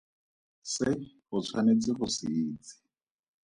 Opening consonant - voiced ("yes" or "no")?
no